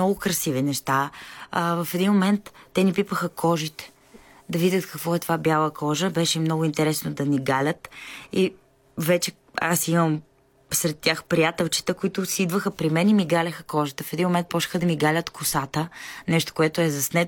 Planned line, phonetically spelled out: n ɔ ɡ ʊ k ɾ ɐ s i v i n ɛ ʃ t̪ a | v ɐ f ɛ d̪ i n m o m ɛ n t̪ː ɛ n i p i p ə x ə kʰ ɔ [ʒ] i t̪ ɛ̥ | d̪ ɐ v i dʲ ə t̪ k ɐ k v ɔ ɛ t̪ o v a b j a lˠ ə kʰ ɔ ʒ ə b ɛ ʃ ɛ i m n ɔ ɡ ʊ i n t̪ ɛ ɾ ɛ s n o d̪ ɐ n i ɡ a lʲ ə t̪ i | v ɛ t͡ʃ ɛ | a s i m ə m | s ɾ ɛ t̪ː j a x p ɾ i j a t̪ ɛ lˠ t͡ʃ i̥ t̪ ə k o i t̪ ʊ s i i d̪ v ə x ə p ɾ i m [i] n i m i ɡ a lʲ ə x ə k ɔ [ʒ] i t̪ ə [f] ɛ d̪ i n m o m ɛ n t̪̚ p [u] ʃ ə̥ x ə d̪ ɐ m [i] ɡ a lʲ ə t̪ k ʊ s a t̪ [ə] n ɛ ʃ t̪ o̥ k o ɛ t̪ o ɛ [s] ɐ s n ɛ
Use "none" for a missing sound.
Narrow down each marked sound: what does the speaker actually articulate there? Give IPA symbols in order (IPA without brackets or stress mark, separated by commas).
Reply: ʒ, ɛ, ʒ, f, ɔ, i, ə, z